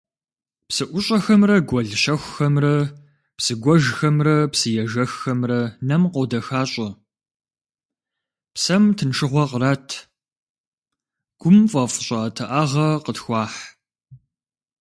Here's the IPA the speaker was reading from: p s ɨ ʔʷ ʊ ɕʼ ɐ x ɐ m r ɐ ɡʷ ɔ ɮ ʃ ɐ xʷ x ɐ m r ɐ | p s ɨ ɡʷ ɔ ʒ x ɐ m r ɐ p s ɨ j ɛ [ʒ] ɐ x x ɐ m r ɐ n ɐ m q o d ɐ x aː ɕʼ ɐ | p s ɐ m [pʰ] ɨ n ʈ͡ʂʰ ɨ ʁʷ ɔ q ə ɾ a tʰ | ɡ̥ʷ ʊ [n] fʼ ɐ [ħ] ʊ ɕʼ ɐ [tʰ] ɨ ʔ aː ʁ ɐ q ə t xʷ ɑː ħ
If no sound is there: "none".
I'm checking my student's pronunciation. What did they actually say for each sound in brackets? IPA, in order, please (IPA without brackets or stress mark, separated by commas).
ʒ, tʰ, m, f, tʰ